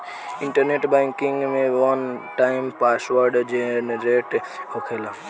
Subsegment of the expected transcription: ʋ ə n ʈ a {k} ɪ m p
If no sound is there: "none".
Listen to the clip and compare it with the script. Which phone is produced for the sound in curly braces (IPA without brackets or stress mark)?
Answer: none